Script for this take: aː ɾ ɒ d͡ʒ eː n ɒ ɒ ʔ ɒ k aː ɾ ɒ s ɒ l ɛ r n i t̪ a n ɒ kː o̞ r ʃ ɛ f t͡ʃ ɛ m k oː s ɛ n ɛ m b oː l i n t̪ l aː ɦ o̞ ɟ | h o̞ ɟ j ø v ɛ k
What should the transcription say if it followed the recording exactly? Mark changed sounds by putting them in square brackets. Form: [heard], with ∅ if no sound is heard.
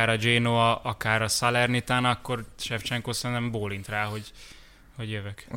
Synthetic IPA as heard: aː ɾ ɒ d͡ʒ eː n [o] ɒ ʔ ɒ k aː ɾ ɒ s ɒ l ɛ r n i t̪ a n ɒ kː o̞ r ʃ ɛ f t͡ʃ ɛ [ŋ] k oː s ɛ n ɛ m b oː l i n t̪ [r] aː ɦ o̞ ɟ | h o̞ ɟ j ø v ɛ k